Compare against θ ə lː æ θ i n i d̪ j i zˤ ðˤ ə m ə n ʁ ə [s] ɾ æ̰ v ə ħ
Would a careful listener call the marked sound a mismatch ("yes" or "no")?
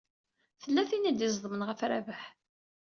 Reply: yes